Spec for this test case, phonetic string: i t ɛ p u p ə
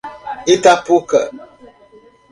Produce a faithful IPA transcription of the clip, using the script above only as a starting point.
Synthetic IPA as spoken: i t a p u k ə